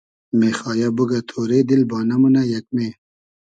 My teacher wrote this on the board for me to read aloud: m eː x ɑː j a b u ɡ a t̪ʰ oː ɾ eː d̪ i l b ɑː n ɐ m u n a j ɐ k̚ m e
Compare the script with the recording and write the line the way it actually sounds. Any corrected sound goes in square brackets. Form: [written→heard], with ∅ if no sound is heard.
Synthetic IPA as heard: m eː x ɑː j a b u ɡ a t̪ʰ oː ɾ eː d̪ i l b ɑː n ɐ m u n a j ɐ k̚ m e

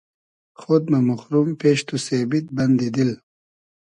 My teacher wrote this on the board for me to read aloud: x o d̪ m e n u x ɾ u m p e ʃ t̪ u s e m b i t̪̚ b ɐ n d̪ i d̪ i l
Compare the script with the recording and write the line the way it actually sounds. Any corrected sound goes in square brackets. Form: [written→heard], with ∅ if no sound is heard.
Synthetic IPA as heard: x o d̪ m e [n→m] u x ɾ u m p e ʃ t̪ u s e [m→∅] b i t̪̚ b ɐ n d̪ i d̪ i l

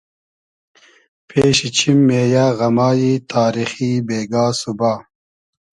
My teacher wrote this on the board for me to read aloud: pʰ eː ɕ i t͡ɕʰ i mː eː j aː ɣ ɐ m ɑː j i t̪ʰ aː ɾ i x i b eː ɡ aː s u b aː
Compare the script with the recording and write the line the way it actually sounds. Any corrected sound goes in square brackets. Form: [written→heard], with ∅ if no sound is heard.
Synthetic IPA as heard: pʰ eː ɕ i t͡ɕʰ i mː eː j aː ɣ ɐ m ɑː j i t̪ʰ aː ɾ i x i b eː ɡ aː s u b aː

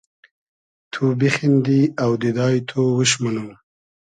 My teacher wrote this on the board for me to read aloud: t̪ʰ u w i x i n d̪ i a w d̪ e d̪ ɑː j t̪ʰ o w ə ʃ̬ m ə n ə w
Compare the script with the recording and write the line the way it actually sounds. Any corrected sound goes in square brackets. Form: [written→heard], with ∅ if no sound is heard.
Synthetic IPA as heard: t̪ʰ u [w→b] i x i n d̪ i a w d̪ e d̪ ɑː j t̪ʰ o w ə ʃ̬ m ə n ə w

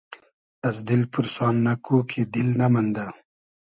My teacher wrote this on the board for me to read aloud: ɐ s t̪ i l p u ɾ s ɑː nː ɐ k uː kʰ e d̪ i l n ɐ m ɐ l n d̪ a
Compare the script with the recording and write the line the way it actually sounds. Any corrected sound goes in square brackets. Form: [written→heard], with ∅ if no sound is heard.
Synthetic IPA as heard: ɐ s [t̪→d̪] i l p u ɾ s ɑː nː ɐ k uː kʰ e d̪ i l n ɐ m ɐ [l→∅] n d̪ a

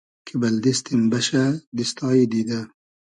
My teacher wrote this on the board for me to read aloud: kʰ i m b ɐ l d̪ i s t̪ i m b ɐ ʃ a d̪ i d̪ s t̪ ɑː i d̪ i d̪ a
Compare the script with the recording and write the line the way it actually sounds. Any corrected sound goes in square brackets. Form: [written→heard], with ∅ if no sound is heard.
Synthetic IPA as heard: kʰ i [m→∅] b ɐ l d̪ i s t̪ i m b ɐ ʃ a d̪ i [d̪→∅] s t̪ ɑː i d̪ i d̪ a

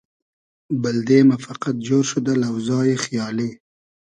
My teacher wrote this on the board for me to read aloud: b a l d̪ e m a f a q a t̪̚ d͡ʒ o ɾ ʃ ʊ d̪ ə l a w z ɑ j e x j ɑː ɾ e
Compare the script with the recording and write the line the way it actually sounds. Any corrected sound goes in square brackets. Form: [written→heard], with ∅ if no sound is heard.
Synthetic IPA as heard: b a l d̪ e m a f a q a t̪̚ d͡ʒ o ɾ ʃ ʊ d̪ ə l a w z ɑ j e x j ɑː [ɾ→l] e

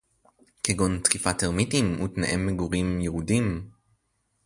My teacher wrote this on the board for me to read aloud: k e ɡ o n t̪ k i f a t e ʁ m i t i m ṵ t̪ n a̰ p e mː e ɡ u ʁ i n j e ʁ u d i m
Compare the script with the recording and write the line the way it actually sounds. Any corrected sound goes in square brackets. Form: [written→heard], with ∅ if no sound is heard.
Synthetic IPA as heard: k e ɡ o n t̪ k i f a t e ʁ m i t i m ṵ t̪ n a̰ [p→ʔ] e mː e ɡ u ʁ i [n→m] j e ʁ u d i m

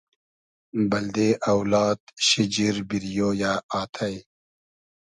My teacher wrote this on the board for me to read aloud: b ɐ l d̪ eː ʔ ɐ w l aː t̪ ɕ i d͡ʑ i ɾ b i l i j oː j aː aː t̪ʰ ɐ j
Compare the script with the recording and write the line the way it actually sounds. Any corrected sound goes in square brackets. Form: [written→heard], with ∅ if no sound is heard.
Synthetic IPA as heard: b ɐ l d̪ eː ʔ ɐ w l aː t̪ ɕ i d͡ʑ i ɾ b i [l→ɾ] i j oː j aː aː t̪ʰ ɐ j

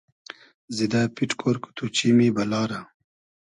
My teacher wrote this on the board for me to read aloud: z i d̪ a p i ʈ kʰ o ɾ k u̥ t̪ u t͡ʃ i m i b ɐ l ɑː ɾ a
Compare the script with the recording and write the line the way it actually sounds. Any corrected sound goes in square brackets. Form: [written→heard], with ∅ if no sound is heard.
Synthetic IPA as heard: z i d̪ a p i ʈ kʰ o ɾ k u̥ t̪ u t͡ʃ i m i b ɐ l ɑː ɾ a

